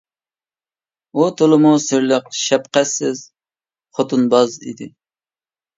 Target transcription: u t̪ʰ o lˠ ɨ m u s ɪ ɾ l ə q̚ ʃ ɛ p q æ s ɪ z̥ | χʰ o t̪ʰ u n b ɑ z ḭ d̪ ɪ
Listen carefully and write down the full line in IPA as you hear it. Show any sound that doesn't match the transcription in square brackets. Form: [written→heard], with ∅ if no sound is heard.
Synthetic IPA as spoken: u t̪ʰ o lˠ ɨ m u s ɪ ɾ l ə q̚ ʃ ɛ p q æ s ɪ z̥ | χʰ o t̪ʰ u n b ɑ z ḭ d̪ ɪ